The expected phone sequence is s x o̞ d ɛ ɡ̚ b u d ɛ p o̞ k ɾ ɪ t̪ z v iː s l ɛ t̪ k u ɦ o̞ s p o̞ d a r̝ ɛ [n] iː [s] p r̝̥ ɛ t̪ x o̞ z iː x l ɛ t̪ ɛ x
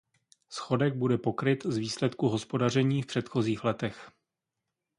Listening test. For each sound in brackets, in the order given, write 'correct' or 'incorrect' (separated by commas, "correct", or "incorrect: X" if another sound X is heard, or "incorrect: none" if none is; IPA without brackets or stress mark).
incorrect: ɲ, incorrect: f